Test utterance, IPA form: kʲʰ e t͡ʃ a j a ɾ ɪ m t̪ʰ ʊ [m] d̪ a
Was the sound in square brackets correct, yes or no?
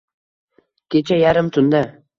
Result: no